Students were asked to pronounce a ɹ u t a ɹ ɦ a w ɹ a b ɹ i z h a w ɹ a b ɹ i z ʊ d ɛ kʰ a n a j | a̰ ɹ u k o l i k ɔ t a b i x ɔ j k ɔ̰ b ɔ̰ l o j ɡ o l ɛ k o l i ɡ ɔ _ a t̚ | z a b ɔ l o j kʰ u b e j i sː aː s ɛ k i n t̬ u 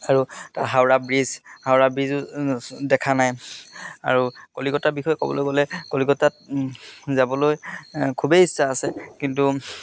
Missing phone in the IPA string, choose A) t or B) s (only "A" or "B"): A